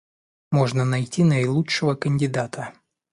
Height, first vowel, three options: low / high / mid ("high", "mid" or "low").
mid